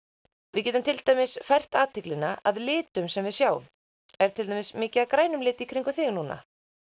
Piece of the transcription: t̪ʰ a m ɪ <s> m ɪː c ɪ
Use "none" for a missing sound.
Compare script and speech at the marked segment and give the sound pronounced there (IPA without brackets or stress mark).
s